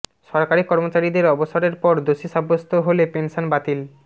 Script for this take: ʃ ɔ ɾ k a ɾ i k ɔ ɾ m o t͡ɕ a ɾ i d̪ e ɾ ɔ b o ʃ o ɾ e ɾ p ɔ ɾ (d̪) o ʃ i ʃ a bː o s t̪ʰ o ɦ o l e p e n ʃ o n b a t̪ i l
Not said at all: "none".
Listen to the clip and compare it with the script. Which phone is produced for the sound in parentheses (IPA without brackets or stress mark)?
d̪